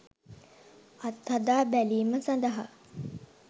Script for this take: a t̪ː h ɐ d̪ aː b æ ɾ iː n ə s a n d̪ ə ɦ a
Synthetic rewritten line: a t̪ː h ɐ d̪ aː b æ l iː m ə s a n d̪ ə ɦ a